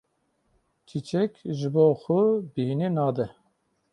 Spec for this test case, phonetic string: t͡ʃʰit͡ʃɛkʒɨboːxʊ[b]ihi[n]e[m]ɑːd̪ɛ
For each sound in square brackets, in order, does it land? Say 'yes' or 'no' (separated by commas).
yes, yes, no